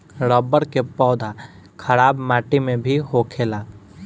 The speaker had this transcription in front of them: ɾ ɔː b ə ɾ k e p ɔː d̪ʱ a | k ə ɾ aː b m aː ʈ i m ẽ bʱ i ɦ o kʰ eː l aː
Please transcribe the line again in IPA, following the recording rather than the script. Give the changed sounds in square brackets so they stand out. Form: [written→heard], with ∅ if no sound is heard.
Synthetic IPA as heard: ɾ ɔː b ə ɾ k e p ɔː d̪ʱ a | [k→kʰ] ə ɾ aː b m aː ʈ i m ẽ bʱ i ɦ o kʰ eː l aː